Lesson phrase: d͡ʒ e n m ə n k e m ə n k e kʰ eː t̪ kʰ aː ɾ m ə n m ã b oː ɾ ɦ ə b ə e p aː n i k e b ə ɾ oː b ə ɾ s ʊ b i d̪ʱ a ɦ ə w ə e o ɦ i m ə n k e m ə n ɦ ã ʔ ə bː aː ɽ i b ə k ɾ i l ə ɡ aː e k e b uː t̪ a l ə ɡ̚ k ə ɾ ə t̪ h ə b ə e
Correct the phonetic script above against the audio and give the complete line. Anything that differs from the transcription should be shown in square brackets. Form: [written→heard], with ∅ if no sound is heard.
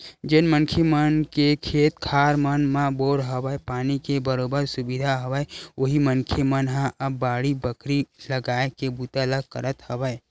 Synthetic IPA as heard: d͡ʒ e n m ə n [k→kʰ] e m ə n k e kʰ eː t̪ kʰ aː ɾ m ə n m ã b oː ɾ ɦ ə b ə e p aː n i k e b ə ɾ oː b ə ɾ s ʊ b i d̪ʱ a ɦ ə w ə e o ɦ i m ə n [k→kʰ] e m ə n ɦ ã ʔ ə bː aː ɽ i b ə k ɾ i l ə ɡ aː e k e b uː t̪ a l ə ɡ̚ k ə ɾ ə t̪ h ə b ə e